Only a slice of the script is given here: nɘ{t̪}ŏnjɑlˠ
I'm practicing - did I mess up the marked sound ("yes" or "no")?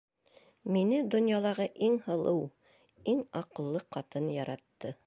yes